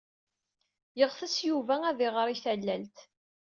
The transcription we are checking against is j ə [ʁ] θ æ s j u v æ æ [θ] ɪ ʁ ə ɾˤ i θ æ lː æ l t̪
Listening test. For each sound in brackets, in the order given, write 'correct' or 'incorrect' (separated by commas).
correct, incorrect